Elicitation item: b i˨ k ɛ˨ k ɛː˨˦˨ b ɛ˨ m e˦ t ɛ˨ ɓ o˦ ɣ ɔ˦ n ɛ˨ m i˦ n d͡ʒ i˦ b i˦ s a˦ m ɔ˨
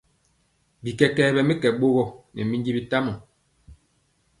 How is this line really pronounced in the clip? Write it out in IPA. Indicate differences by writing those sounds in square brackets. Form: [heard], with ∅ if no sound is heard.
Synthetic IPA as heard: b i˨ k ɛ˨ k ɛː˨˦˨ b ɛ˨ m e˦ [k] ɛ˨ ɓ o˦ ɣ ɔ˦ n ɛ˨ m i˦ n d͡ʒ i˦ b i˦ [t] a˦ m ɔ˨